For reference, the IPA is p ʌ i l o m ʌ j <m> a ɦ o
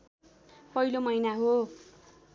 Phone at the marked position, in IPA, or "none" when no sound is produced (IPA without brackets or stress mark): n